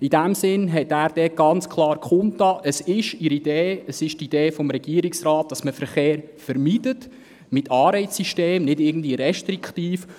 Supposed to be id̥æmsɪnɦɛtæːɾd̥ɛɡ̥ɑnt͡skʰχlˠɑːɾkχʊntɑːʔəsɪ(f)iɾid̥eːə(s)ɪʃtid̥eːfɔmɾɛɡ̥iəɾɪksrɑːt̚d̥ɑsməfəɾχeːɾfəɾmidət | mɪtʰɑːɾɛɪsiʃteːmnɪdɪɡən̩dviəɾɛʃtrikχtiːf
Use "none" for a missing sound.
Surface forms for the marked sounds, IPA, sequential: ʃ, s

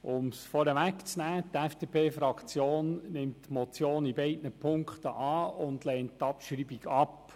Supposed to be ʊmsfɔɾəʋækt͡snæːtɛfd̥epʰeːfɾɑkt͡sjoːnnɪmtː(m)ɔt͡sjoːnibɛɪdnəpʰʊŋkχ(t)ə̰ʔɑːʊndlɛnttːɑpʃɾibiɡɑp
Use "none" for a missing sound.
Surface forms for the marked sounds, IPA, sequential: m, t

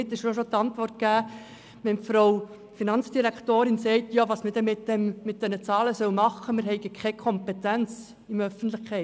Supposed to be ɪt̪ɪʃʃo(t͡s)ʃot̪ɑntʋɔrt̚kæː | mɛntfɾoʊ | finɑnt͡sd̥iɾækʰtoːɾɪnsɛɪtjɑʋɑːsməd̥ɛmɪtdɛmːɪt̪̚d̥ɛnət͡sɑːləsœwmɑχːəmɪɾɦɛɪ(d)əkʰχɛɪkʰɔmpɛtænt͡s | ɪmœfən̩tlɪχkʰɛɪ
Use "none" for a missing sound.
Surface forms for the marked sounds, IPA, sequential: none, ɡ

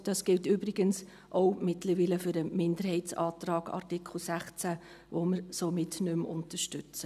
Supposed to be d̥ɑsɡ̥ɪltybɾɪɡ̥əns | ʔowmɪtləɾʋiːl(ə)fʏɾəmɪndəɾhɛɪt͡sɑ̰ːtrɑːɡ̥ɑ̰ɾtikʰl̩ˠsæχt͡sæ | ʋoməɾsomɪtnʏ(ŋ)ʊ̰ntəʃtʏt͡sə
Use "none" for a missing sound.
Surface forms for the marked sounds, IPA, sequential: ə, m

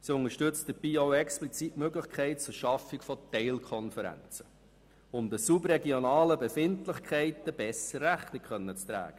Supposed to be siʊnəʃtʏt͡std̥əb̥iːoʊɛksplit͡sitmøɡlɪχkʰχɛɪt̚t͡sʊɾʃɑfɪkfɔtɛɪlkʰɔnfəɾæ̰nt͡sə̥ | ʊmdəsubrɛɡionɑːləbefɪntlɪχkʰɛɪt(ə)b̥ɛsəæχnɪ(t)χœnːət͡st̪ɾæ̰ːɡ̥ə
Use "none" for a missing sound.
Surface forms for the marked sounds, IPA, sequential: ə, k

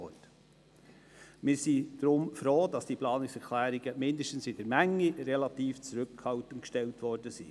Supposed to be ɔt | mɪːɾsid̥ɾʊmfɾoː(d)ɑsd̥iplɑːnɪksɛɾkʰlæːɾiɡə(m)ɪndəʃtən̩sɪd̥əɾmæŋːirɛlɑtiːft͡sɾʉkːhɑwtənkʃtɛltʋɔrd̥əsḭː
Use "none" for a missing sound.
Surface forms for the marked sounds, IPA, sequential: d, m

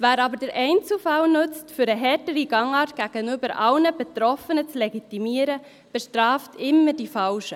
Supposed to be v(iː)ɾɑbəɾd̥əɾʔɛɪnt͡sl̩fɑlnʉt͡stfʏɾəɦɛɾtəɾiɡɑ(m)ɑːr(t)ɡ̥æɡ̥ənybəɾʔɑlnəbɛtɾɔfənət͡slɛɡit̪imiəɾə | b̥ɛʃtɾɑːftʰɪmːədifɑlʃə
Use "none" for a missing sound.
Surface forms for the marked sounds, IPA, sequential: æː, ŋ, t

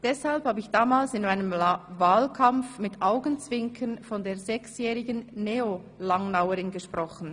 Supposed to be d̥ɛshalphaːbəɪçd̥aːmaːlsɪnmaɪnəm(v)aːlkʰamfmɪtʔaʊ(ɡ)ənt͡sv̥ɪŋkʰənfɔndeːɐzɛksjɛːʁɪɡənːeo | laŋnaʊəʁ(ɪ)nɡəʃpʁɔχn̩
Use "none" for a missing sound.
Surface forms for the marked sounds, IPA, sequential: v, ɡ, ɪ

